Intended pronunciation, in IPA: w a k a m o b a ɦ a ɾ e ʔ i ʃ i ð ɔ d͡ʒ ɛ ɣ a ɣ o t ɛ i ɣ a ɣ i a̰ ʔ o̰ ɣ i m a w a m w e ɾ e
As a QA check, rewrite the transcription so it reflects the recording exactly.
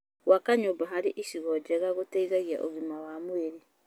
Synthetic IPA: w a k a ɲ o b a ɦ a ɾ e ʔ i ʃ i ɣ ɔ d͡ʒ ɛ ɣ a ɣ o t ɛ i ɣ a ɣ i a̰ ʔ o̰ ɣ i m a w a m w e ɾ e